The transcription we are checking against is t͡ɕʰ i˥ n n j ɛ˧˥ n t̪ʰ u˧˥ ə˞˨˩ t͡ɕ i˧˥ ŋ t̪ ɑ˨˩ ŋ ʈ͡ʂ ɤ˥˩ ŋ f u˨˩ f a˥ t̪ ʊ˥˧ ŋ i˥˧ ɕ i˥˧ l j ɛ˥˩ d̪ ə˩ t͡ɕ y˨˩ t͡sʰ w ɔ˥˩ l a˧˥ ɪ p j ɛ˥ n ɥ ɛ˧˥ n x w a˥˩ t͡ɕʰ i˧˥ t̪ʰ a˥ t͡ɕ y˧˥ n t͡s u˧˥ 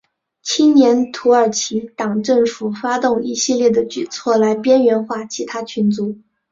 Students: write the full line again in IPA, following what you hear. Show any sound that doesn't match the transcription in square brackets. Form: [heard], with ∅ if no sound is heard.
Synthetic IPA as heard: t͡ɕʰ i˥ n n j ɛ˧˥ n t̪ʰ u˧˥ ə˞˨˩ [t͡ɕʰ] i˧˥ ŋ t̪ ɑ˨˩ ŋ ʈ͡ʂ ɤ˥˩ ŋ f u˨˩ f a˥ t̪ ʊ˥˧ ŋ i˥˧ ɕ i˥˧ l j ɛ˥˩ d̪ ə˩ t͡ɕ y˨˩ t͡sʰ w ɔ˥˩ l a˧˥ ɪ p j ɛ˥ n ɥ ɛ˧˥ n x w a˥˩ t͡ɕʰ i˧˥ t̪ʰ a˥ [t͡ɕʰ] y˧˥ n t͡s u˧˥